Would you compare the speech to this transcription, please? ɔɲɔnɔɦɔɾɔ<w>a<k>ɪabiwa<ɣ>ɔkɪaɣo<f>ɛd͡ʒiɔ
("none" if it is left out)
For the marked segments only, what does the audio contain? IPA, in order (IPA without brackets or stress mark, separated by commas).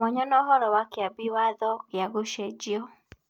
w, k, ð, ʃ